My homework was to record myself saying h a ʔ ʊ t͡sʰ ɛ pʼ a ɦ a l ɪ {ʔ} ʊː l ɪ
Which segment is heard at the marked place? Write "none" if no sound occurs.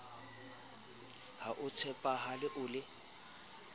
ʔ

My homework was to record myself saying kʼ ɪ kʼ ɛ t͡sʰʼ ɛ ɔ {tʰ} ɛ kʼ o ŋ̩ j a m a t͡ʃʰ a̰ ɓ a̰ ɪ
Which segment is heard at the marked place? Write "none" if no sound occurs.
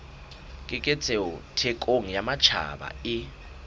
tʰ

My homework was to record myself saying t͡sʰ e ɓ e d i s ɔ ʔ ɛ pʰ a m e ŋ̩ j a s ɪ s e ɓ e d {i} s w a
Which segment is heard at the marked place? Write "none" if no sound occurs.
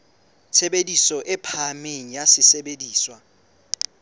iː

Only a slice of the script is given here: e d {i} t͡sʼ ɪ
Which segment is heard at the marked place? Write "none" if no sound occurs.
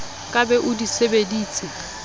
iː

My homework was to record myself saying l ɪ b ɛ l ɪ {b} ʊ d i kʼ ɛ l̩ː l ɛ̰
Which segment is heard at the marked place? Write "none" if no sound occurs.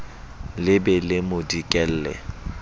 m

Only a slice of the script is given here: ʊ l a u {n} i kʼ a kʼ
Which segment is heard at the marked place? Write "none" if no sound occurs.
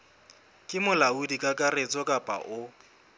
d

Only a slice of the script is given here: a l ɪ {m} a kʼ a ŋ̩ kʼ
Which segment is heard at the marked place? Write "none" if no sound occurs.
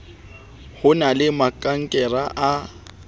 m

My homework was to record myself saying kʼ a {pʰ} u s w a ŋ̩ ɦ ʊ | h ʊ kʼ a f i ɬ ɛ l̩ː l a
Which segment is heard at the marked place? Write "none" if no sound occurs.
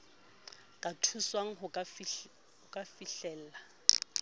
tʰ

